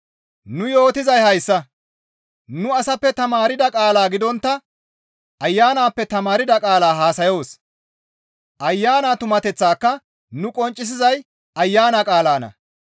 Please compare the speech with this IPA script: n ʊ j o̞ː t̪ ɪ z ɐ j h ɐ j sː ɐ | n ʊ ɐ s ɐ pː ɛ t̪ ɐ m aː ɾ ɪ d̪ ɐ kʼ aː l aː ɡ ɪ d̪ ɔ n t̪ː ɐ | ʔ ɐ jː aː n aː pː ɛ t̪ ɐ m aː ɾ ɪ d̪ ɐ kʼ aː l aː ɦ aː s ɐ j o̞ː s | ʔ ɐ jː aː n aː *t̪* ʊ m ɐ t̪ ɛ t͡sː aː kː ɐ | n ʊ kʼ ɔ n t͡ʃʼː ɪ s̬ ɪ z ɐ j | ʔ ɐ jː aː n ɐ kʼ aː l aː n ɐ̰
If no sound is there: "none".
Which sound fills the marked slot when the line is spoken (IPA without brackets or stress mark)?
t̪